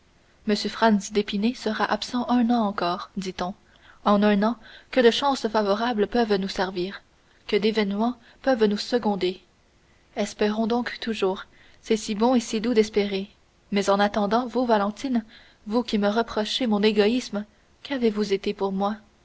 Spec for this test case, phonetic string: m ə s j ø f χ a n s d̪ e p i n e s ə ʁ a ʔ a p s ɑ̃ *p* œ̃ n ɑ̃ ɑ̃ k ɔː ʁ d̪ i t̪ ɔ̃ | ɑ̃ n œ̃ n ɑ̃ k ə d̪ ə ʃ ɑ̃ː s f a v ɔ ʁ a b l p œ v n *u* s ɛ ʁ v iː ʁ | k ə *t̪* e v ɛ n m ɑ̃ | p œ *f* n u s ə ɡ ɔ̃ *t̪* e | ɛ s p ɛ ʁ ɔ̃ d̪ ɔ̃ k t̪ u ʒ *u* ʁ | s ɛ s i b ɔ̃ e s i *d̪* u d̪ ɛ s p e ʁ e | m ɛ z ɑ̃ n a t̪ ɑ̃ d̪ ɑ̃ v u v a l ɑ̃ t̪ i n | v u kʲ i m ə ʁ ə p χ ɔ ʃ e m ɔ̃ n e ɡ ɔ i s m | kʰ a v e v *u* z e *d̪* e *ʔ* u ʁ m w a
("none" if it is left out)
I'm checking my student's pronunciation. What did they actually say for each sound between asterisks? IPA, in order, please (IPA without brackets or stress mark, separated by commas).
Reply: ʔ, u, d̪, v, d̪, uː, d̪, u, t̪, p